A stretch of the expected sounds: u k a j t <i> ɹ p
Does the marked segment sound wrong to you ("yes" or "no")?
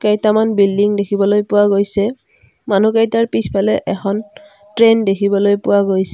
yes